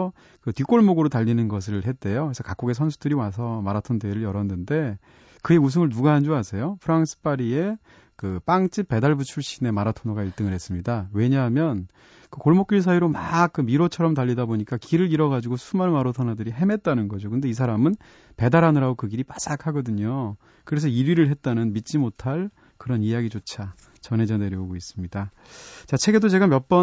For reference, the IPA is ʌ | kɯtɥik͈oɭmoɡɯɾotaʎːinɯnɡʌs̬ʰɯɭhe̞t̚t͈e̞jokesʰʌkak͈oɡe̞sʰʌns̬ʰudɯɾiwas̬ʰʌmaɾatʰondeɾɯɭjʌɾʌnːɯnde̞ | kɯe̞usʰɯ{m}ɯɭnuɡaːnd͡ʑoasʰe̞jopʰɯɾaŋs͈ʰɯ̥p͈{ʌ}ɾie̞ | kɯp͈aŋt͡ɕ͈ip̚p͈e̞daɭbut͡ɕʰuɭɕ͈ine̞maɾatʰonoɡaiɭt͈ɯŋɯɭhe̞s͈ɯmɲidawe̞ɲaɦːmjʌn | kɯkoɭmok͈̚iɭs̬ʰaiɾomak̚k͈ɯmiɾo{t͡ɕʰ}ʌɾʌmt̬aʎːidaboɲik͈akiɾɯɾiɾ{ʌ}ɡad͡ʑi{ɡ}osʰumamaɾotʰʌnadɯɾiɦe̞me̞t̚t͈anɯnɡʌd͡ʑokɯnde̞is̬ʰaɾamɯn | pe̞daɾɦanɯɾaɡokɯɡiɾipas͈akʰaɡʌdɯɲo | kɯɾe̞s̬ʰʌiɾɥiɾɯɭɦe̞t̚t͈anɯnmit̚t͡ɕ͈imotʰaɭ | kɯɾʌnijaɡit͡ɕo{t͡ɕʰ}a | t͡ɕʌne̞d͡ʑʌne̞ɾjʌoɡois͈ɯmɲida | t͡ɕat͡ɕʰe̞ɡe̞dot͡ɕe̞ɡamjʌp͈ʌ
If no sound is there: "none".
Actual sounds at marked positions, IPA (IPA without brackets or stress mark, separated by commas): ŋ, a, t͡ɕʰ, ʌ, ɡ, t͡ɕʰ